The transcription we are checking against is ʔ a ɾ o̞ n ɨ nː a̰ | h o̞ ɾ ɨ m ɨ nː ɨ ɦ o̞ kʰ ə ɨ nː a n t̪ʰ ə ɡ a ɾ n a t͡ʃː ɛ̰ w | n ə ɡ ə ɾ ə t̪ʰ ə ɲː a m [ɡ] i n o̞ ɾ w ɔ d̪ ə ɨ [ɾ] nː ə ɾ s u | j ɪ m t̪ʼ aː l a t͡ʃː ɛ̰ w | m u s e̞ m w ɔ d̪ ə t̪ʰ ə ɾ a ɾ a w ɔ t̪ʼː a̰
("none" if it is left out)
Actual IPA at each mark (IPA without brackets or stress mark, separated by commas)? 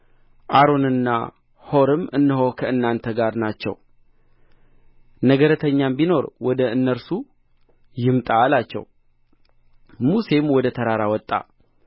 b, none